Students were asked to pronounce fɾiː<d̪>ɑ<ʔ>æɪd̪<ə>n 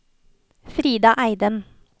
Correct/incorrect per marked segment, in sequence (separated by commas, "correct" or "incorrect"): correct, correct, correct